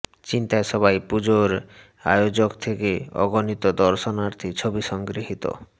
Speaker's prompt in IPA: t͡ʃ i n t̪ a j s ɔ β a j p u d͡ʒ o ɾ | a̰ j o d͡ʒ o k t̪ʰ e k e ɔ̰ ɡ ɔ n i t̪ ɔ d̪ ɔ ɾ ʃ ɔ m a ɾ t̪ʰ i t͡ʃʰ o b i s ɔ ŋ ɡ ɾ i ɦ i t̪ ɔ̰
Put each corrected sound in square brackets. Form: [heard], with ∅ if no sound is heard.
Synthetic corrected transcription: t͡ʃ i n t̪ a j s ɔ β a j p u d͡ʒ o ɾ | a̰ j o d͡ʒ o k t̪ʰ e k e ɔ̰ ɡ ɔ n i t̪ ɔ d̪ ɔ ɾ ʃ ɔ [n] a ɾ t̪ʰ i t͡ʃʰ o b i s ɔ ŋ ɡ ɾ i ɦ i t̪ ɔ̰